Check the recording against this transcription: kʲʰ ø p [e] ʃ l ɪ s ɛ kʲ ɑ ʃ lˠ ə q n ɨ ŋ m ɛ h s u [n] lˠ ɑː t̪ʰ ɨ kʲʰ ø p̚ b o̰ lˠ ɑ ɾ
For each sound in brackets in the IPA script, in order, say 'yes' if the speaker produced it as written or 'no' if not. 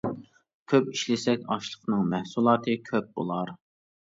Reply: no, no

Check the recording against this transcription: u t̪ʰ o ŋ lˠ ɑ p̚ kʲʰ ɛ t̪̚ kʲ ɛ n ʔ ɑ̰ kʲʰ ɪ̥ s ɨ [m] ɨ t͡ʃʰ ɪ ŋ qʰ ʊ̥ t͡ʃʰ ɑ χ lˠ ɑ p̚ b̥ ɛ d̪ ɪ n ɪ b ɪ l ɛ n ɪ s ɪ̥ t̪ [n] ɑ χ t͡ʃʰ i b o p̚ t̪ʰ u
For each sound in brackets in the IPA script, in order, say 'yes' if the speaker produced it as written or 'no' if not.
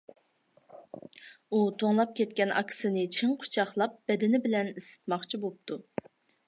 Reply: no, no

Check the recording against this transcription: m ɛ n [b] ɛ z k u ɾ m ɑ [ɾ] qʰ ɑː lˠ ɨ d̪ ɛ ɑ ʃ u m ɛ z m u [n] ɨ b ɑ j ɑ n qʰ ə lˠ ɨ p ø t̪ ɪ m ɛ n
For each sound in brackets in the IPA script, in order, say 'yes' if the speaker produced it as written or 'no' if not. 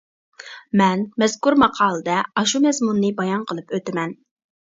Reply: no, no, no

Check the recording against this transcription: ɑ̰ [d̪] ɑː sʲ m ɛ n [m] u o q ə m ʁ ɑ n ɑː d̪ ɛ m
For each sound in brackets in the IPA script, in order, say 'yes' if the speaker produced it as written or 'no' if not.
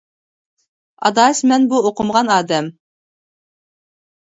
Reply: yes, no

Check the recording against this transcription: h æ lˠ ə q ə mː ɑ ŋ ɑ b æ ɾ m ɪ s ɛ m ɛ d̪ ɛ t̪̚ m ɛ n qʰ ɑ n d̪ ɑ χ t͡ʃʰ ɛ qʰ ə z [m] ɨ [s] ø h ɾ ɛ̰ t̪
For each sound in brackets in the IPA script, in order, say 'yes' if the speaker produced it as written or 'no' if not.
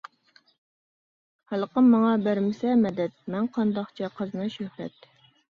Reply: no, no

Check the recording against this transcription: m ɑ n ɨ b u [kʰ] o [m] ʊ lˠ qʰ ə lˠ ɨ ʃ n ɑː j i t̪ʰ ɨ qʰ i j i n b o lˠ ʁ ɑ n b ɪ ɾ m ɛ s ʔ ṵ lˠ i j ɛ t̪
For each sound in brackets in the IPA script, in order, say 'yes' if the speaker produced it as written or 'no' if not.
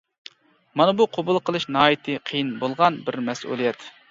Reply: no, no

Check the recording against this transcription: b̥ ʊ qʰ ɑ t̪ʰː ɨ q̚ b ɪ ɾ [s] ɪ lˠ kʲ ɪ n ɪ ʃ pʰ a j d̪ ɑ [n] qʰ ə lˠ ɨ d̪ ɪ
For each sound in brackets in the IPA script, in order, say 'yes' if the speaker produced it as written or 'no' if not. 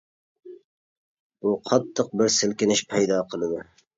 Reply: yes, no

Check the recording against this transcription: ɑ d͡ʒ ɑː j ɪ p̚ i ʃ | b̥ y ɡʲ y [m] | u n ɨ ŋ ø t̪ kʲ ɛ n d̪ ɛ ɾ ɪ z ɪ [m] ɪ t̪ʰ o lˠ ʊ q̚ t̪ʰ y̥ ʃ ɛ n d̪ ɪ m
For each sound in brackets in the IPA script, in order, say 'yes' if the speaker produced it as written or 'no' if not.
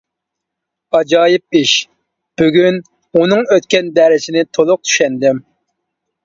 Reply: no, no

